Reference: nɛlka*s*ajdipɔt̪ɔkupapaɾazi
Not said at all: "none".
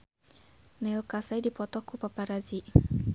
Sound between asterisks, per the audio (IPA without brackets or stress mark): s